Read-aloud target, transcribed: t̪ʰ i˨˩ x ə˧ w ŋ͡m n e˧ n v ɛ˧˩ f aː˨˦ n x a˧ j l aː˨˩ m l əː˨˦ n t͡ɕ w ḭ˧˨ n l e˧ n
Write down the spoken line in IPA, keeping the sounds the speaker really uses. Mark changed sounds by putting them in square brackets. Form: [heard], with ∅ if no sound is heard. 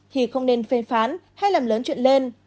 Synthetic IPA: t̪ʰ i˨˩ x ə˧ w ŋ͡m n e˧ n [f] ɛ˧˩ f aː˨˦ n [h] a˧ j l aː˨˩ m l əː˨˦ n t͡ɕ w ḭ˧˨ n l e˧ n